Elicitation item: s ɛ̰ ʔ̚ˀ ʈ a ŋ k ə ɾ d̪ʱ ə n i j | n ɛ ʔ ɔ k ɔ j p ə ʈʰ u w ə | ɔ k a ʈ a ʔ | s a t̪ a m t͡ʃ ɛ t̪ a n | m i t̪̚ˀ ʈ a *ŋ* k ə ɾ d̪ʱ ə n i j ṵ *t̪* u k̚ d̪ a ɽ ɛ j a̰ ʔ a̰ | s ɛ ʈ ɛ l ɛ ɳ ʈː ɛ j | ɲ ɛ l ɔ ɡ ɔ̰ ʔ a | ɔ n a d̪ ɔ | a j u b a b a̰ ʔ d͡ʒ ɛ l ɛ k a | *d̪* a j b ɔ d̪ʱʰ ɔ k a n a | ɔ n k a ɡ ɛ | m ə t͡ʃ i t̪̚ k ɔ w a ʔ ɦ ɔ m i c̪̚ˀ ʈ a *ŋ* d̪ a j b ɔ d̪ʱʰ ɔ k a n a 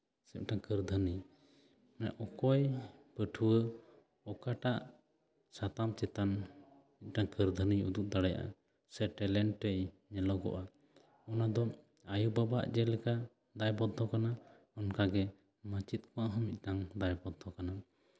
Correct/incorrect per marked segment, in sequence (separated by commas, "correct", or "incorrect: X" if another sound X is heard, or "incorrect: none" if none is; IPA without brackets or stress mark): correct, incorrect: d̪, correct, correct